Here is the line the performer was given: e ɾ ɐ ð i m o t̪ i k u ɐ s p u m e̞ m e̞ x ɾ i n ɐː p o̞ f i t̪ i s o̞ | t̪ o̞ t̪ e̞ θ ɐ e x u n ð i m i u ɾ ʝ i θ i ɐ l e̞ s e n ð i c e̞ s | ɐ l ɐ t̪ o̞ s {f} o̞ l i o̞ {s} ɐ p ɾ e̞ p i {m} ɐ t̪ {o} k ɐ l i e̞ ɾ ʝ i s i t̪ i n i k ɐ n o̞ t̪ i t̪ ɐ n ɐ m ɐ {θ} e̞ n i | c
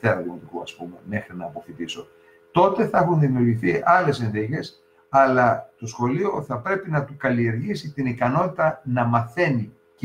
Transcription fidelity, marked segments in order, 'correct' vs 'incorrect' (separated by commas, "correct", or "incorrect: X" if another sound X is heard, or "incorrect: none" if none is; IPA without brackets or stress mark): incorrect: x, incorrect: θ, incorrect: n, incorrect: u, correct